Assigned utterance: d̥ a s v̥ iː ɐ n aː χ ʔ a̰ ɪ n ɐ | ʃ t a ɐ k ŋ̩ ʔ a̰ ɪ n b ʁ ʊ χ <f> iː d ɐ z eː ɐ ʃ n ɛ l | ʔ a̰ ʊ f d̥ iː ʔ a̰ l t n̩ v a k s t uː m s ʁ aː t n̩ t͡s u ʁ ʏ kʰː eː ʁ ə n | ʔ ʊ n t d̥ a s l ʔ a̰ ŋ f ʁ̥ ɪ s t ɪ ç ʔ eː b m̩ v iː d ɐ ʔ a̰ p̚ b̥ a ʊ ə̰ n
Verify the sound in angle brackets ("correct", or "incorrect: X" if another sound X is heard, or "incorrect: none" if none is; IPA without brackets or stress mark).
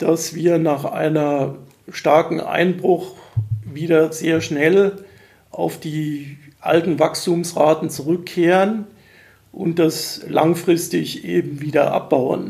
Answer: incorrect: v